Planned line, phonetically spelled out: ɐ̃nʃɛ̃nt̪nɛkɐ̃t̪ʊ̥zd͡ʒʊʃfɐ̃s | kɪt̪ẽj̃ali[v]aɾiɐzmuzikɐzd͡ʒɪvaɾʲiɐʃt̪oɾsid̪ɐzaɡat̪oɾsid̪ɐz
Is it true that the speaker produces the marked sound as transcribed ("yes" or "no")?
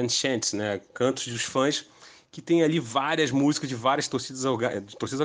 yes